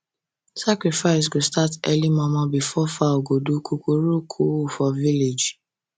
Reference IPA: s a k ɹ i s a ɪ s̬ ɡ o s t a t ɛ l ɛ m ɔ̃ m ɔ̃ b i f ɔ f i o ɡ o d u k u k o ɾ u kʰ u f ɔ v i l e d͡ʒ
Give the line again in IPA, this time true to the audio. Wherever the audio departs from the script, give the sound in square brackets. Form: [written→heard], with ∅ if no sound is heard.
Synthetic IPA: s a k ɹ i [s→f] a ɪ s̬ ɡ o s t a t ɛ l [ɛ→i] m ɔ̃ m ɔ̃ b i f ɔ f [i→a] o ɡ o d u k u k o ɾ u kʰ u f ɔ v i l e d͡ʒ